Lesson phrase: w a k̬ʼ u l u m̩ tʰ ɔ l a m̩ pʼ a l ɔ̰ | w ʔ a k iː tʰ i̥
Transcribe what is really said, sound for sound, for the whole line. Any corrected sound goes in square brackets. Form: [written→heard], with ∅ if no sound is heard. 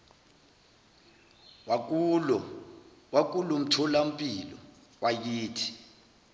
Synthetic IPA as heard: w a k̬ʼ u l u m̩ tʰ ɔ l a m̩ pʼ [a→i] l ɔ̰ | w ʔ a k iː tʰ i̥